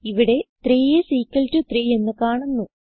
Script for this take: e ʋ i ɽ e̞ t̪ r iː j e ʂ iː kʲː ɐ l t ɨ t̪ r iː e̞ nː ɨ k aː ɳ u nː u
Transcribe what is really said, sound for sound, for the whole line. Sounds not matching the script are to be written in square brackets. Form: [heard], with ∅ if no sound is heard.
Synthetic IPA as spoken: [i] ʋ i ɽ e̞ t̪ r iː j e [s] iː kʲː ɐ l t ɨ t̪ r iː e̞ nː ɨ k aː ɳ u nː u